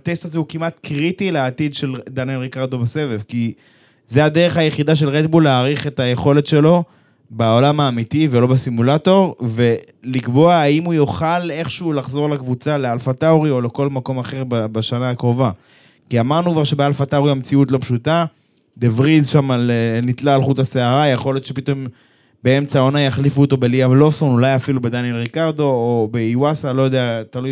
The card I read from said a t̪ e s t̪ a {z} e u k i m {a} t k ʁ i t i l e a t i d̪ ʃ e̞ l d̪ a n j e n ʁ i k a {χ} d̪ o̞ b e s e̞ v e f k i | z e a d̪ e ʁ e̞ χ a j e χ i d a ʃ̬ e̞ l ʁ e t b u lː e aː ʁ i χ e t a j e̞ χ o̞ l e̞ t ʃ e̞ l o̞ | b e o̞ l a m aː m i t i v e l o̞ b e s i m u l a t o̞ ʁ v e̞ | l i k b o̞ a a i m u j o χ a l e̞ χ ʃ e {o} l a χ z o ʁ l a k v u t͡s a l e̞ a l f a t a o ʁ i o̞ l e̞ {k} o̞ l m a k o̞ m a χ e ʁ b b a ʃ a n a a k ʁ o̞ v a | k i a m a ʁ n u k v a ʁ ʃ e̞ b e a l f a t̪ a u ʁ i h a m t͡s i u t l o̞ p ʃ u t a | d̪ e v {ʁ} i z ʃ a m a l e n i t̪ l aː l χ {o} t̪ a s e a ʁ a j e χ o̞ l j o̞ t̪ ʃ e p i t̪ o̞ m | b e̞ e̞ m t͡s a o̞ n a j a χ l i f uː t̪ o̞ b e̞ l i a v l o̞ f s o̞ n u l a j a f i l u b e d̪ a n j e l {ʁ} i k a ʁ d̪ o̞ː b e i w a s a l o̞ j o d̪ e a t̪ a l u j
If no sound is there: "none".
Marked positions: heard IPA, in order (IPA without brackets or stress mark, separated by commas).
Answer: z, a, ʁ, u, k, ʁ, u, ʁ